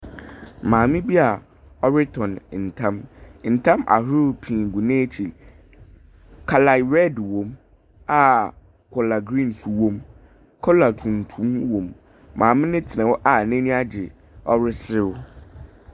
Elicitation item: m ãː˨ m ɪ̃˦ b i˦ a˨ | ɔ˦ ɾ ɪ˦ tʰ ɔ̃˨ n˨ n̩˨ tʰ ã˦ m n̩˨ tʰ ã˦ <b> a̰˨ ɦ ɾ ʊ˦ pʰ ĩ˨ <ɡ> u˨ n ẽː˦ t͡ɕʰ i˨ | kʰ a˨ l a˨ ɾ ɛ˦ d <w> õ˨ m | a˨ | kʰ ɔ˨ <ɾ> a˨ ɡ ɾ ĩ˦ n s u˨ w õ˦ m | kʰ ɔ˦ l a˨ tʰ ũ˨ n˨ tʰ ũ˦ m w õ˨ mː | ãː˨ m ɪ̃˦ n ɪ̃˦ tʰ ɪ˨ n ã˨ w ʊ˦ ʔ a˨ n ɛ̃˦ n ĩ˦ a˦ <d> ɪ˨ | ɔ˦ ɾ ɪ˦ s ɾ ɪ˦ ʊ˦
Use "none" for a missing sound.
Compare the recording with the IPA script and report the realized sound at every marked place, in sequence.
m, ɡ, w, l, d͡ʑ

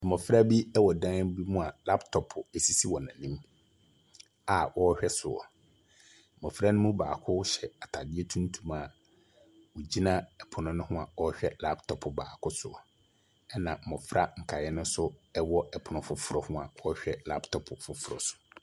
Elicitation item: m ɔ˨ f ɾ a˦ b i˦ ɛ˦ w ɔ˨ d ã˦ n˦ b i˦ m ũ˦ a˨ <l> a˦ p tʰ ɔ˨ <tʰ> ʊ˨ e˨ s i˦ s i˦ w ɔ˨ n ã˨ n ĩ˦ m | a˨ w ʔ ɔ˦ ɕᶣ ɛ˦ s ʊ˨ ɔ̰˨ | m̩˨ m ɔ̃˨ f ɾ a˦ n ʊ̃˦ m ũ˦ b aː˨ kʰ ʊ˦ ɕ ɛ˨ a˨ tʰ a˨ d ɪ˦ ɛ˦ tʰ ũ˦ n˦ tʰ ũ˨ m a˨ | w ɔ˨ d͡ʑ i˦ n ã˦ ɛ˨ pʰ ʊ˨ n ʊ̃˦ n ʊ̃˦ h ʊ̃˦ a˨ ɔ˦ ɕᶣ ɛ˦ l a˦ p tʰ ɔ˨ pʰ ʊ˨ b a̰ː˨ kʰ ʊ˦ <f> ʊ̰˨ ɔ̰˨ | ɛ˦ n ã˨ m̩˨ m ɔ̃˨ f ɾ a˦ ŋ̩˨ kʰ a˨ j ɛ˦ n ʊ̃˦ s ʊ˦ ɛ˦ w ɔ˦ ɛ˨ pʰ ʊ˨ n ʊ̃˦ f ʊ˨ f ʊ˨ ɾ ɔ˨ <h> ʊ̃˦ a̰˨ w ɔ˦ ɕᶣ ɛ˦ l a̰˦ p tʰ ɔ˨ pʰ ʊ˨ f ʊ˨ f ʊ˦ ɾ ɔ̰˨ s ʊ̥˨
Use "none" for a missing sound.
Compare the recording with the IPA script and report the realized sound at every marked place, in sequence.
l, pʰ, s, h

